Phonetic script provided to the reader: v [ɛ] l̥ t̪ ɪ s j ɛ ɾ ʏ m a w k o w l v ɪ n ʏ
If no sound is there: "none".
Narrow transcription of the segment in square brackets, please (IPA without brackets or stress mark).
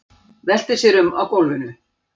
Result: ɛ